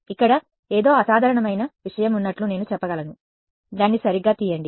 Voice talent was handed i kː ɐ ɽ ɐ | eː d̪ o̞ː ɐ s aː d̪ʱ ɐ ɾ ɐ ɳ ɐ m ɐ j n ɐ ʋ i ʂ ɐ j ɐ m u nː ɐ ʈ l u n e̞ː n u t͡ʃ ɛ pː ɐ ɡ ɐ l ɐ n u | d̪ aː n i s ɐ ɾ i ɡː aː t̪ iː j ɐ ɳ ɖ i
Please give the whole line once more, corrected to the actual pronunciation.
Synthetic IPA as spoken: i kː ɐ ɽ ɐ | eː d̪ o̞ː ɐ s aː d̪ʱ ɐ ɾ ɐ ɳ ɐ m ɐ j n ɐ ʋ i ʂ ɐ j ɐ m u nː ɐ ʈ l u n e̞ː n u t͡ʃ ɛ pː ɐ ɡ ɐ l ɐ n u | d̪ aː nː i s ɐ ɾ i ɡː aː t̪ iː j ɐ ɳ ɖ i